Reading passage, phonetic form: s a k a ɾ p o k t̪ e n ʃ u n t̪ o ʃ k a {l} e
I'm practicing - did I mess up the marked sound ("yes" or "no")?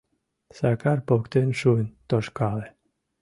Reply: no